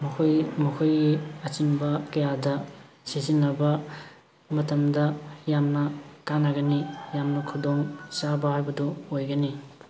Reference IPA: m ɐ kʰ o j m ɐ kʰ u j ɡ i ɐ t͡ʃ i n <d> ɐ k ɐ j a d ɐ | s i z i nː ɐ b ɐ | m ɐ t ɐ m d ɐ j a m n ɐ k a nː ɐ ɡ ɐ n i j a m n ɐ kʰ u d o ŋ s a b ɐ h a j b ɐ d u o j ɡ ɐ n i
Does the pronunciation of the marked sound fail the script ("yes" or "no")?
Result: yes